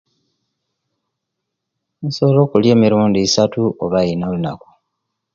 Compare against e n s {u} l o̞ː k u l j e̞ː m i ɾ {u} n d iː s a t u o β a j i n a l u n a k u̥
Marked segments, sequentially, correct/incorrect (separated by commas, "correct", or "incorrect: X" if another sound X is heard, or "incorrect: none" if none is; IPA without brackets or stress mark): incorrect: o, incorrect: uː